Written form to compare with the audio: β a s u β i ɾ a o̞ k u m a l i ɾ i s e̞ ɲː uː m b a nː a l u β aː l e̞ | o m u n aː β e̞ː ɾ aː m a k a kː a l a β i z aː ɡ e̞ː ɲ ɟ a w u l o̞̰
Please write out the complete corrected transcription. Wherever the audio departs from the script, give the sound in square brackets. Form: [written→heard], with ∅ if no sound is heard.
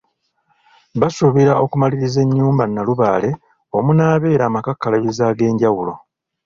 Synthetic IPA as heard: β a s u β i ɾ a o̞ k u m a l i ɾ i [s→z] e̞ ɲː uː m b a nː a l u β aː l e̞ | o m u n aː β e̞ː ɾ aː m a k a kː a l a β i z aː ɡ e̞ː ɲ ɟ a w u l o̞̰